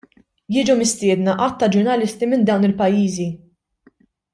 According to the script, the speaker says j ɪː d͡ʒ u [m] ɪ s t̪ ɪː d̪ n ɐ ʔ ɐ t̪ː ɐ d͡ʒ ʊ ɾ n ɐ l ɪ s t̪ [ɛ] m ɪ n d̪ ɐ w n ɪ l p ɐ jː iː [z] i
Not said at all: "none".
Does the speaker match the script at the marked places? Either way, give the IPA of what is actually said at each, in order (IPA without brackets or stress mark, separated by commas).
m, i, z